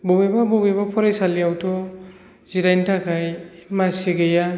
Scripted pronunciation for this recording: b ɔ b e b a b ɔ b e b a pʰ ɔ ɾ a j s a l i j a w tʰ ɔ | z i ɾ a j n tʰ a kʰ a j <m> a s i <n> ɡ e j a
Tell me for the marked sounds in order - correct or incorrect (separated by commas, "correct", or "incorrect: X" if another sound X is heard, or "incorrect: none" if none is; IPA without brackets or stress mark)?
correct, incorrect: none